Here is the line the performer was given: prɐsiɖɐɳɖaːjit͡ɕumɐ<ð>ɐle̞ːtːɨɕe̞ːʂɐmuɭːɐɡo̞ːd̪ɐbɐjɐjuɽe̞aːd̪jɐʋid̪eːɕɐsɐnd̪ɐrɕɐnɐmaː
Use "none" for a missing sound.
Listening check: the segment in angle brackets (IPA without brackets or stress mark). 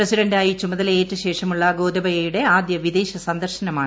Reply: ð